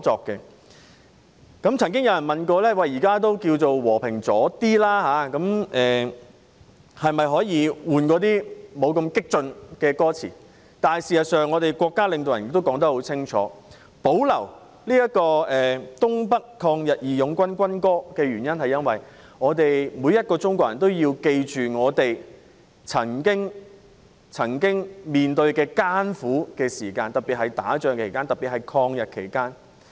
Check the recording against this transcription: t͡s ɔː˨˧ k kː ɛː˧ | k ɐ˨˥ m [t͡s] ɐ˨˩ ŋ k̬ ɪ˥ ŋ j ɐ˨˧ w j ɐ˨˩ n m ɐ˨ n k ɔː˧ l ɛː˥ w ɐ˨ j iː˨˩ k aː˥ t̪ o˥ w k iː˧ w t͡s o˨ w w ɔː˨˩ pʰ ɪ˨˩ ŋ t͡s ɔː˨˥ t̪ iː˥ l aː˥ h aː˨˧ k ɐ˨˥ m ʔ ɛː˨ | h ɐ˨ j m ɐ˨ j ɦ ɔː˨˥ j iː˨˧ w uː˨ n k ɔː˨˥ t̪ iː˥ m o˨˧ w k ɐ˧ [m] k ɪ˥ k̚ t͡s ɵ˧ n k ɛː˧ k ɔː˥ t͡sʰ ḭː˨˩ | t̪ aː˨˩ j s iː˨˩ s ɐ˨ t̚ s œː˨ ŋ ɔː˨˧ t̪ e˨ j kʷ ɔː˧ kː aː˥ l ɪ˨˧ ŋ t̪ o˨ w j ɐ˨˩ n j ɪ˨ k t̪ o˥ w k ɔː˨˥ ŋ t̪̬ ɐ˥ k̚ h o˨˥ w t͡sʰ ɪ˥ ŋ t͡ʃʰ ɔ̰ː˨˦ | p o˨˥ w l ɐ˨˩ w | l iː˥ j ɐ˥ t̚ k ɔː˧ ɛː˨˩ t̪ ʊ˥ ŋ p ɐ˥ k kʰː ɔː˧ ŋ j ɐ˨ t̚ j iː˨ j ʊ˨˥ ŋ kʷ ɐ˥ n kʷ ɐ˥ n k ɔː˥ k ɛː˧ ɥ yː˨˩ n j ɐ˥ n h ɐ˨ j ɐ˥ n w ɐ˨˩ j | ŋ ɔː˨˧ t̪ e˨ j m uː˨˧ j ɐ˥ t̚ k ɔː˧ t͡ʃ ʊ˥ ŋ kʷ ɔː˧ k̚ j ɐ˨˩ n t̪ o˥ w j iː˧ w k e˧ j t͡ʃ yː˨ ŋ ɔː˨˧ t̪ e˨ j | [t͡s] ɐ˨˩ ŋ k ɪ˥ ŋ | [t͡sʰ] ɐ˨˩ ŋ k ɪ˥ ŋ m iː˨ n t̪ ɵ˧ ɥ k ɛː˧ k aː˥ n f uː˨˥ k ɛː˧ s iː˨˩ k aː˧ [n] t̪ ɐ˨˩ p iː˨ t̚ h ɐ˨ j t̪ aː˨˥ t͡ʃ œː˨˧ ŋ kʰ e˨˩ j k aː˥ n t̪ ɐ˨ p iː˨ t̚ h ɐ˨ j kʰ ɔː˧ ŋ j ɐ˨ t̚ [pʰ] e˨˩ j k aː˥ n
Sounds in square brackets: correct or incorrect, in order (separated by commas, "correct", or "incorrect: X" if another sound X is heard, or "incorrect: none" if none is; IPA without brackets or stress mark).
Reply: incorrect: t͡sʰ, correct, incorrect: t͡sʰ, correct, correct, incorrect: kʰ